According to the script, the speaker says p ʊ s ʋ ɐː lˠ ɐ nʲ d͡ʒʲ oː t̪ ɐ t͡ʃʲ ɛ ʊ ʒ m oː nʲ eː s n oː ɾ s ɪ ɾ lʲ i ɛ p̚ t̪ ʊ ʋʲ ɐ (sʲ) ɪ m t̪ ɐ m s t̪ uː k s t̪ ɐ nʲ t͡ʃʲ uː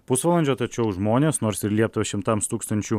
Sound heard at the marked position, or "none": ʃʲ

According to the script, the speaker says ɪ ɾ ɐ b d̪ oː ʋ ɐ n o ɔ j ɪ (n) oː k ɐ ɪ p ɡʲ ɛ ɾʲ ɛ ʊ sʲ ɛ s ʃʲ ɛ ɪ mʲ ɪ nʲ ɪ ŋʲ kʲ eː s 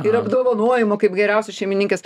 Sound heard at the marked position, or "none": m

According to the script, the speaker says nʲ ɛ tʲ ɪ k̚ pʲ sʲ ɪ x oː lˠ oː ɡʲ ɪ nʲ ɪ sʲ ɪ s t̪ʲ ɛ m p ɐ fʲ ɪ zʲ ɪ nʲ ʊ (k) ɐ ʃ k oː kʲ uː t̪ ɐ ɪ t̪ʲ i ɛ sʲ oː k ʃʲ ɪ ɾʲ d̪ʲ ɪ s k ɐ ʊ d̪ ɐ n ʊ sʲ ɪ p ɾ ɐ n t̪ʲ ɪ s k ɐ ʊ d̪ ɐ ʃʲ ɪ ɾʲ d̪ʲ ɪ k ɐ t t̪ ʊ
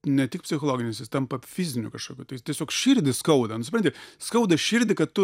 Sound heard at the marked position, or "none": k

